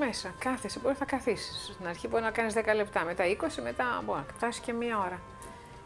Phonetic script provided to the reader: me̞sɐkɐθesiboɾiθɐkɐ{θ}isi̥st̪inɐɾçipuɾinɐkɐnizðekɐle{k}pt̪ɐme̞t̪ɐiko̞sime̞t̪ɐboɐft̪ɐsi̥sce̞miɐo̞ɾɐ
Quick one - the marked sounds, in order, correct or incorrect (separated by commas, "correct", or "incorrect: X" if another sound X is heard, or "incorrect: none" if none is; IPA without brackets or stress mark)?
correct, incorrect: none